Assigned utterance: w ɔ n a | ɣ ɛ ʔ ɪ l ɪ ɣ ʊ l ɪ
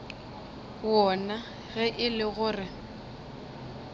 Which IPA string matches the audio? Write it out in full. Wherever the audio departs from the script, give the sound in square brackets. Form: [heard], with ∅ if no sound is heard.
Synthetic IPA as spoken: w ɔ n a | ɣ ɛ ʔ ɪ l ɪ ɣ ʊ [r] ɪ